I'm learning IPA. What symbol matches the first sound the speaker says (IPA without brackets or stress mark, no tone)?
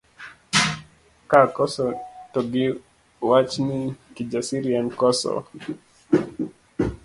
k